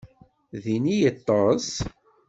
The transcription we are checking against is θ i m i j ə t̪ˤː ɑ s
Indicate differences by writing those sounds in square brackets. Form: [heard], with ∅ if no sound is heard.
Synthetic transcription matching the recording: [ð] i [n] i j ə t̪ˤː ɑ s